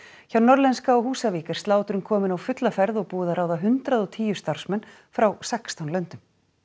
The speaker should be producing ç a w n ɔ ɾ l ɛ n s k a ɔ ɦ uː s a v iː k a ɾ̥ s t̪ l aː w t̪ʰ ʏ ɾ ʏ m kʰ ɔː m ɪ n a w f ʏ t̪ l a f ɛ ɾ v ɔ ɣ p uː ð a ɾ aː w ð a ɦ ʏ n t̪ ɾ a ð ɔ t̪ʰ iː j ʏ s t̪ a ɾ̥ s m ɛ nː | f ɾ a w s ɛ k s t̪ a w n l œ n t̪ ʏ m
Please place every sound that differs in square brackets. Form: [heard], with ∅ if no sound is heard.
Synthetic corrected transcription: ç a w n ɔ ɾ l ɛ n s k a ɔ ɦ uː s a v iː k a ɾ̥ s t̪ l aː w [t̪] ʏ ɾ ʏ m kʰ ɔː m ɪ n a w f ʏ t̪ l a f ɛ ɾ [ð] ɔ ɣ p uː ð a ɾ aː w ð a ɦ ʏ n t̪ ɾ a ð ɔ t̪ʰ iː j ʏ s t̪ a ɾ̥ s m ɛ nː | f ɾ a w s ɛ k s t̪ a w n l œ n t̪ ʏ m

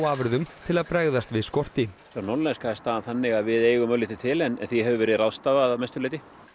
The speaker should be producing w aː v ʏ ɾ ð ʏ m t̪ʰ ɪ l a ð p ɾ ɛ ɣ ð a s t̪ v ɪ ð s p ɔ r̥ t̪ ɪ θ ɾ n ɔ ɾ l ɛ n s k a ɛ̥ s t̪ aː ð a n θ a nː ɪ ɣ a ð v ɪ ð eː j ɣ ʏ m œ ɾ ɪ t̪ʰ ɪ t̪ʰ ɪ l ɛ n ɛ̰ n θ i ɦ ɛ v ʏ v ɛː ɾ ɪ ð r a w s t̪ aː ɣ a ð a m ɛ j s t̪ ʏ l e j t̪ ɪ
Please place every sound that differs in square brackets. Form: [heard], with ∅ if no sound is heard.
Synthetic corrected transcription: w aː v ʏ ɾ ð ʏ m t̪ʰ ɪ l a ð p ɾ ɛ ɣ ð a s t̪ v ɪ ð s [k] ɔ r̥ t̪ ɪ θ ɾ n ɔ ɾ l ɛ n s k a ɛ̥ s t̪ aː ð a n θ a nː ɪ ɣ a ð v ɪ ð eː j ɣ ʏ m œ [l] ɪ [t̪] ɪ t̪ʰ ɪ l ɛ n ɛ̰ n θ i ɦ ɛ v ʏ v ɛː ɾ ɪ ð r a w s t̪ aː [v] a ð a m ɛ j s t̪ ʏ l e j t̪ ɪ

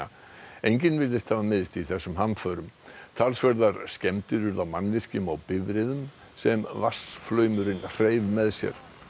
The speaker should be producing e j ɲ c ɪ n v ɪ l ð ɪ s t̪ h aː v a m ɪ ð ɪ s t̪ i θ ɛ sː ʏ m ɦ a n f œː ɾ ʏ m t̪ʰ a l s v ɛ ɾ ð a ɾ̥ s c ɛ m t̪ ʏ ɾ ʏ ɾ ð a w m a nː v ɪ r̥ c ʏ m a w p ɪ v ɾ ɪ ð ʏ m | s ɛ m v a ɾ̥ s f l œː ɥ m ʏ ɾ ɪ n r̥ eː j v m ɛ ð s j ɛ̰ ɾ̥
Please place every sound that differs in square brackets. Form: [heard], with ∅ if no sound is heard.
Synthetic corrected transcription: e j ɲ c ɪ n v ɪ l ð ɪ s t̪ h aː v a m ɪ ð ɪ s t̪ i θ ɛ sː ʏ m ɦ a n f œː ɾ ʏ m t̪ʰ a l s v ɛ ɾ ð a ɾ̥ s c ɛ m t̪ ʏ ɾ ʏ ɾ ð a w m a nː v ɪ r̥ c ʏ m a w p ɪ v ɾ ɪ ð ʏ m | s ɛ m v a [∅] s f l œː ɥ m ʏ ɾ ɪ n r̥ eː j v m ɛ ð s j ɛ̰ ɾ̥

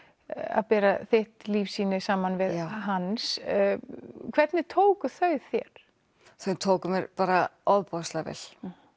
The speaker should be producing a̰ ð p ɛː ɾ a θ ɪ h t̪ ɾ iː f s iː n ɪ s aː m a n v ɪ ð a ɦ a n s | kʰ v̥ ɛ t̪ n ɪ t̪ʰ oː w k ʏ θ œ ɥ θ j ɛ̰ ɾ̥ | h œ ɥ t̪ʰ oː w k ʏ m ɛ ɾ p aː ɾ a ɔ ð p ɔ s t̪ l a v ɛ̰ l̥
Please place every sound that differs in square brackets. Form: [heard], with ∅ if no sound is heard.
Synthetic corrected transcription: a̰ ð p ɛː ɾ a θ ɪ h t̪ [l] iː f s iː n ɪ s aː m a n v ɪ ð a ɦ a n s | kʰ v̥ ɛ t̪ n ɪ t̪ʰ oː w k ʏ θ œ ɥ θ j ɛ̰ ɾ̥ | [θ] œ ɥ t̪ʰ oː w k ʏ m ɛ ɾ p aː ɾ a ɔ ð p ɔ s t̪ l a v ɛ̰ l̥

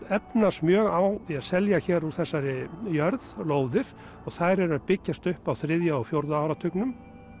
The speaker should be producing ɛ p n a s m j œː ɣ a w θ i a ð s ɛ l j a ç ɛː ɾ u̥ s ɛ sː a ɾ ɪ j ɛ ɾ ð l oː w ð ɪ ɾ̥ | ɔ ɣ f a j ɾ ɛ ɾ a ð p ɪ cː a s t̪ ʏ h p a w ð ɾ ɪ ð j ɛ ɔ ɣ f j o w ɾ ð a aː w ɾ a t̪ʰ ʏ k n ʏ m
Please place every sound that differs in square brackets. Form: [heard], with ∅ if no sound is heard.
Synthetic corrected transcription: ɛ p n a s m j œː ɣ a w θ i a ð s ɛ l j a ç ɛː ɾ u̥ [θ] ɛ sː a ɾ ɪ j [œ] ɾ ð l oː w ð ɪ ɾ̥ | ɔ ɣ [θ] a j ɾ ɛ ɾ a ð p ɪ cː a s t̪ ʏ h p a w [θ] ɾ ɪ ð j [a] ɔ ɣ f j o w ɾ ð a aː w ɾ a t̪ʰ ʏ k n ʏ m

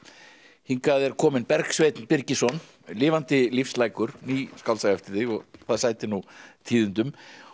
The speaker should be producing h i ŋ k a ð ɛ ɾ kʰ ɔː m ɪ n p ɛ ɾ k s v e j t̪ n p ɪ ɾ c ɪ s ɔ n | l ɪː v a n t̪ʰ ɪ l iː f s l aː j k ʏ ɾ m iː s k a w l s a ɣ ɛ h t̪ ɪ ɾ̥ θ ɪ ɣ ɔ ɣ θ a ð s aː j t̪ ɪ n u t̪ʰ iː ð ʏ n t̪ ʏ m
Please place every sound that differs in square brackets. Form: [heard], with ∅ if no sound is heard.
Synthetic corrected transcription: h i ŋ k a ð ɛ ɾ kʰ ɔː m ɪ n p ɛ ɾ k s v e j t̪ n p ɪ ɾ c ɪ s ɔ n | l ɪː v a n [t̪] ɪ l [i] f s l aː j k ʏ ɾ [n] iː s k a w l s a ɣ ɛ [f] t̪ ɪ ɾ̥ θ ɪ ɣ ɔ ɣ θ a ð s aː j t̪ ɪ n u t̪ʰ iː ð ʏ n t̪ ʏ m

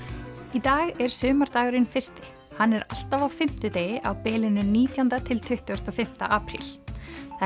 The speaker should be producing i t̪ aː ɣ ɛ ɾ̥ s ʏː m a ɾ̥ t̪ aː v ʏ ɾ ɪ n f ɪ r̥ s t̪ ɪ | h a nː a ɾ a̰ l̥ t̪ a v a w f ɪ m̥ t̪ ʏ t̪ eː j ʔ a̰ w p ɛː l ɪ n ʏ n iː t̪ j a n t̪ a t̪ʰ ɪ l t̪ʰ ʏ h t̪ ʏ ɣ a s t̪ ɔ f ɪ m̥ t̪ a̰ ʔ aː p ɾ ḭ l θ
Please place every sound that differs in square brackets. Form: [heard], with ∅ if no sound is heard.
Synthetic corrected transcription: i t̪ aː ɣ ɛ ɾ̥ s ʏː m a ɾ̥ t̪ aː [ɣ] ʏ ɾ ɪ n f ɪ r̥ s t̪ ɪ | h a nː [ɛ] ɾ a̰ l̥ t̪ a v a w f ɪ m̥ t̪ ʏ t̪ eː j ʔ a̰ w p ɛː l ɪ n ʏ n iː t̪ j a n t̪ a t̪ʰ ɪ l t̪ʰ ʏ h t̪ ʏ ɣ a s t̪ ɔ f ɪ m̥ t̪ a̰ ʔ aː p ɾ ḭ l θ

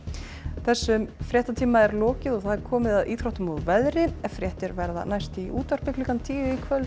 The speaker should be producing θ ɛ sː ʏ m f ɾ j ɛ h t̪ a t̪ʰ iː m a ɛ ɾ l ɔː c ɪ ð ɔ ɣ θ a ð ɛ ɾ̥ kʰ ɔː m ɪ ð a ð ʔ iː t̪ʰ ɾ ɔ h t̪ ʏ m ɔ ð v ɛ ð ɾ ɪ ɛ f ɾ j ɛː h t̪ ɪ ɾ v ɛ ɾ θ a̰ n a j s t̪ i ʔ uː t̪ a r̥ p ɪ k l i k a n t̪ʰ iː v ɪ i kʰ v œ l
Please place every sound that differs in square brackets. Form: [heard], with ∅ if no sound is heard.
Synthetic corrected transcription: θ ɛ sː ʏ m f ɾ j ɛ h t̪ a t̪ʰ iː m a ɛ ɾ l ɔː c ɪ ð ɔ ɣ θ a ð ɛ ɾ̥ kʰ ɔː m ɪ ð a ð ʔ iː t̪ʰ ɾ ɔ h t̪ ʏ m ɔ ð v ɛ ð ɾ ɪ ɛ f ɾ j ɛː h t̪ ɪ ɾ v ɛ ɾ [ð] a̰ n a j s t̪ i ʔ uː t̪ a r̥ p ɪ k l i k a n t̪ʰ iː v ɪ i kʰ v œ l

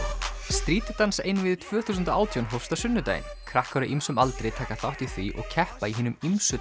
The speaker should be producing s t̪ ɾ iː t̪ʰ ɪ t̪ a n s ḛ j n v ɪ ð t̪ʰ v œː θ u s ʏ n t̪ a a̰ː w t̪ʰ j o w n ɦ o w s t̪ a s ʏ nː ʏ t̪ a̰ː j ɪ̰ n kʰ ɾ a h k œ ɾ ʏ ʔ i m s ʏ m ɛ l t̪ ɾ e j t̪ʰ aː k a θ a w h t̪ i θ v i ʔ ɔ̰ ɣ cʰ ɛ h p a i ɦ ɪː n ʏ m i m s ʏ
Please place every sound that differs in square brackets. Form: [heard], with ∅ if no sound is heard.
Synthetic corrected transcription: s t̪ ɾ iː [t̪] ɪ t̪ a n s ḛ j n v ɪ ð t̪ʰ v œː θ u s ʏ n t̪ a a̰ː w t̪ʰ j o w n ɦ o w s t̪ a s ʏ nː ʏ t̪ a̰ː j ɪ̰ n kʰ ɾ a h k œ ɾ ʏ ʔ i m s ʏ m [a] l t̪ ɾ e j t̪ʰ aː k a θ a w h t̪ i θ v i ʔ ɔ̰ ɣ cʰ ɛ h p a i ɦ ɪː n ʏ m i m s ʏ

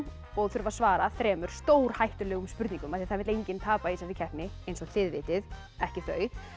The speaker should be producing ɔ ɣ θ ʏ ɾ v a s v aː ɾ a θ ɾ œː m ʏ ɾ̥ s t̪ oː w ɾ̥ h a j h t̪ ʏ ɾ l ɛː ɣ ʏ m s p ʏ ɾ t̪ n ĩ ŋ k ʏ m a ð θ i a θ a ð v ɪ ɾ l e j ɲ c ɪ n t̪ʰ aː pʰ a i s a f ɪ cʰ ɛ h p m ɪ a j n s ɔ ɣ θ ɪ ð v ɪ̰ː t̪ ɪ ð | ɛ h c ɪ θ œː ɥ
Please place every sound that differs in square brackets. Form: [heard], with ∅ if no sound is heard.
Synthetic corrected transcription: ɔ ɣ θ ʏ ɾ v a s v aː ɾ a θ ɾ [ɛː] m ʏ ɾ̥ s t̪ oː w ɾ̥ h a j h t̪ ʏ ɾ l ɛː ɣ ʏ m s p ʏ ɾ t̪ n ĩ ŋ k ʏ m a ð θ i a θ a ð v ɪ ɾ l e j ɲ c ɪ n t̪ʰ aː [p] a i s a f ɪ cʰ ɛ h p [n] ɪ [e] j n s ɔ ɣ θ ɪ ð v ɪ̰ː t̪ ɪ ð | ɛ h c ɪ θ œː ɥ

